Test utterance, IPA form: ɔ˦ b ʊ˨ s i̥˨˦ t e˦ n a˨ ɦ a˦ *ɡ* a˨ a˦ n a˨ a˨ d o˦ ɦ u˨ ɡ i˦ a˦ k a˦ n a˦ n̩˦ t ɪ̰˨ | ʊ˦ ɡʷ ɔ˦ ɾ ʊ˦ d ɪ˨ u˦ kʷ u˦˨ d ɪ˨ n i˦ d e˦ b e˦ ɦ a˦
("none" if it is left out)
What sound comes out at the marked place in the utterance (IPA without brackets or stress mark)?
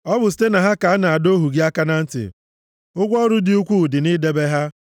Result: k